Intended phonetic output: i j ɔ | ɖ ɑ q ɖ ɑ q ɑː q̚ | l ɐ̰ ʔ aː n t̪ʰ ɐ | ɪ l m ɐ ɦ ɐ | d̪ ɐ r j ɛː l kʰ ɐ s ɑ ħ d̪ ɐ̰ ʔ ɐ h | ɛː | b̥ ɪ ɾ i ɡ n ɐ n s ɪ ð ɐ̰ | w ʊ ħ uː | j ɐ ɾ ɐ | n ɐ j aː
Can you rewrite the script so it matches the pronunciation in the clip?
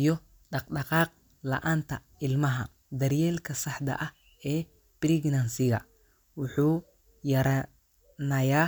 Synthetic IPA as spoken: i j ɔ | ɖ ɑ q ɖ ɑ q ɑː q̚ | l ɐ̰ ʔ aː n t̪ʰ ɐ | ɪ l m ɐ ɦ ɐ | d̪ ɐ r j ɛː l kʰ ɐ s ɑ ħ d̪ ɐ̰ ʔ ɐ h | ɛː | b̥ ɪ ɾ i ɡ n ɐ n s ɪ ɣ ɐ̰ | w ʊ ħ uː | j ɐ ɾ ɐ | n ɐ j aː